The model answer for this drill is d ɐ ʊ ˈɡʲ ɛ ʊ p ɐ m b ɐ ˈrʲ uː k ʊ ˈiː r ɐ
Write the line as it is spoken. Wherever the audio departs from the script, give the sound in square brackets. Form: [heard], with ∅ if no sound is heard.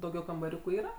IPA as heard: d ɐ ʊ ˈɡʲ ɛ ʊ [k] ɐ m b ɐ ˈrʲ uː k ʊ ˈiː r ɐ